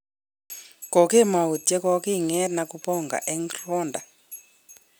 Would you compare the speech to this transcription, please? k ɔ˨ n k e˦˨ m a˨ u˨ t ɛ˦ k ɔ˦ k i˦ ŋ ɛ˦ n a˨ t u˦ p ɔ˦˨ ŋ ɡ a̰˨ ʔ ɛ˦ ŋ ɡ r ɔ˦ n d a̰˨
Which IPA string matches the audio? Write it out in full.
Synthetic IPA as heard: k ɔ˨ k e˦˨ m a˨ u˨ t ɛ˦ k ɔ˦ k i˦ ŋ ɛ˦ n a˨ k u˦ p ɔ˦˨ ŋ ɡ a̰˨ ʔ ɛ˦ ŋ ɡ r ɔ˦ n d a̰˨